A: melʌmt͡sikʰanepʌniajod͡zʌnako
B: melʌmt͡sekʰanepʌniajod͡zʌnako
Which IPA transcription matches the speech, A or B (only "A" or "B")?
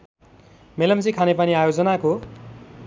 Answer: A